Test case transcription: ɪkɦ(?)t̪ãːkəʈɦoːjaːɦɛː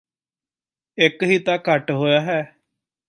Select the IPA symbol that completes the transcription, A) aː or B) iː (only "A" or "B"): B